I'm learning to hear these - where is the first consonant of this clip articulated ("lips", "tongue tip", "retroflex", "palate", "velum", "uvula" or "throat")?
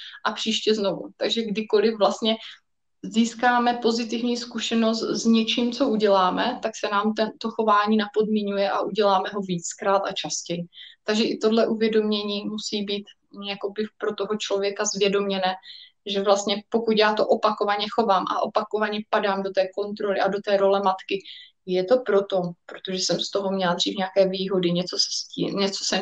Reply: throat